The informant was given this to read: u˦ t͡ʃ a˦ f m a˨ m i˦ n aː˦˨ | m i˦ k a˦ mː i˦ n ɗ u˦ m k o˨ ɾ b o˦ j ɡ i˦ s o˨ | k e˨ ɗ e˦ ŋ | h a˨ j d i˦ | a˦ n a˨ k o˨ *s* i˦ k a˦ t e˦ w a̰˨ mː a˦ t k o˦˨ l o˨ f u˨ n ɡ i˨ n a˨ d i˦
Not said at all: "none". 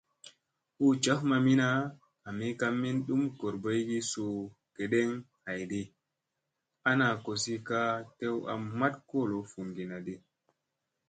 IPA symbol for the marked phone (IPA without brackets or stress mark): s